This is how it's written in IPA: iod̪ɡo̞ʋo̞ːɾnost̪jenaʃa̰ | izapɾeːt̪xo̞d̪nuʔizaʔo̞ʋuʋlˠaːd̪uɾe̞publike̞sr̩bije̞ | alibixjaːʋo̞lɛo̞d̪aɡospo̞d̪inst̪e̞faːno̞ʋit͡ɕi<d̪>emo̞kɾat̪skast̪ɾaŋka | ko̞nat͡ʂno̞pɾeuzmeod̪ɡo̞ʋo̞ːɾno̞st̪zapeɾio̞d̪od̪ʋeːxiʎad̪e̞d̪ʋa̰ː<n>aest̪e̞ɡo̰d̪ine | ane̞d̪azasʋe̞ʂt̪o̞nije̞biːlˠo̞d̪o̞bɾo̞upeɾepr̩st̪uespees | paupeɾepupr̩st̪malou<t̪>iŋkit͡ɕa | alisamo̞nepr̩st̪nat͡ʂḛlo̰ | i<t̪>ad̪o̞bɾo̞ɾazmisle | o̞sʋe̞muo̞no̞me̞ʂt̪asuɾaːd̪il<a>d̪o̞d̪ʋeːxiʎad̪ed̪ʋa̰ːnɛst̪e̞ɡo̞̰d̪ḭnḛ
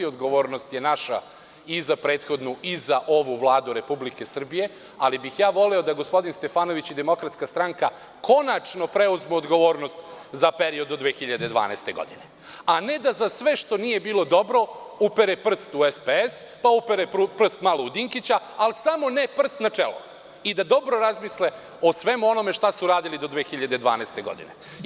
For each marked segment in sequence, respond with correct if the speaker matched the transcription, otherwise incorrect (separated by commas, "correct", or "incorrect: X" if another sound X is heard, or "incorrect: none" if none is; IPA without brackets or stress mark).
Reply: correct, correct, incorrect: d̪, incorrect: d̪, incorrect: i